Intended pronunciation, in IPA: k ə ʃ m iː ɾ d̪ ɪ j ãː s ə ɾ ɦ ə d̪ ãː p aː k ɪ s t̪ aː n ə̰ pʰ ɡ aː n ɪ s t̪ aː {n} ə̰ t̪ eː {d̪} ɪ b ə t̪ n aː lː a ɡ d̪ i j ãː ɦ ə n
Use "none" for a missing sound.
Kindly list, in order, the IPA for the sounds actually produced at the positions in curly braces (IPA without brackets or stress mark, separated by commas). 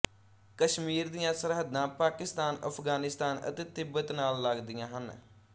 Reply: n, t̪